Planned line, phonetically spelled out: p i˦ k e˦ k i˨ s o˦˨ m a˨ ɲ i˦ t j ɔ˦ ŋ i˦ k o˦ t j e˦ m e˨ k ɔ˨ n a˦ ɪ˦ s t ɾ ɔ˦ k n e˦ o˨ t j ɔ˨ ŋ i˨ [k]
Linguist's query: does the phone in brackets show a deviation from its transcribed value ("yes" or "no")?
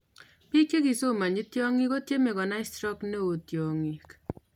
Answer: no